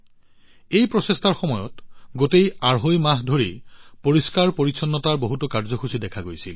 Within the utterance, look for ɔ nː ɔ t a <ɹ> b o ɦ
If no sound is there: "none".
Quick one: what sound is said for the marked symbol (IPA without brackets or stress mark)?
ɹ